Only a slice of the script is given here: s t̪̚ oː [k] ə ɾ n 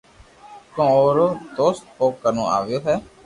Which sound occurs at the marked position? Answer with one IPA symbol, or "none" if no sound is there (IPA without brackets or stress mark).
k